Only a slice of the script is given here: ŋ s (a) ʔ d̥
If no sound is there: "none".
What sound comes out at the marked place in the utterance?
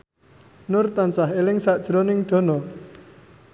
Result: a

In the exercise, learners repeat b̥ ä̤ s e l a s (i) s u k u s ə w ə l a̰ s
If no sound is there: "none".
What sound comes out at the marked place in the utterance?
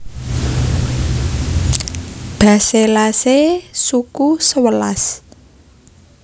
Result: e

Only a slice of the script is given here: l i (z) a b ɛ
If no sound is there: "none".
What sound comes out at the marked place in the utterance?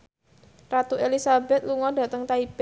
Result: s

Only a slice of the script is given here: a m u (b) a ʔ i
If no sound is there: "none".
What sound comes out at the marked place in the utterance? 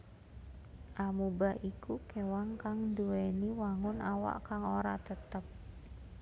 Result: b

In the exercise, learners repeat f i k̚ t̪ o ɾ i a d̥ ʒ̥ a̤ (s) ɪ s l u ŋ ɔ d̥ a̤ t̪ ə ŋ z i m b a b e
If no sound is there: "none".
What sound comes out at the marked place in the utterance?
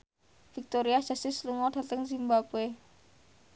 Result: s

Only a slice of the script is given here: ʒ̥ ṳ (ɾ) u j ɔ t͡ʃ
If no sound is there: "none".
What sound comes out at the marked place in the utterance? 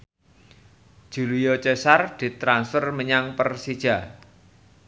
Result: l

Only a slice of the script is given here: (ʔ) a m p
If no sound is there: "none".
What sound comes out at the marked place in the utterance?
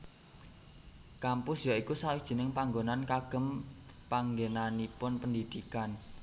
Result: k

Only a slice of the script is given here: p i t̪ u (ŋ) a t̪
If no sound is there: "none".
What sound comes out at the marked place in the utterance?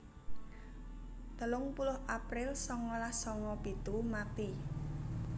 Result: m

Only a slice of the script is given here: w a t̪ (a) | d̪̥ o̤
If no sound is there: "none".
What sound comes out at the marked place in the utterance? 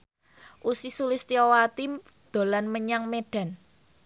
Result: i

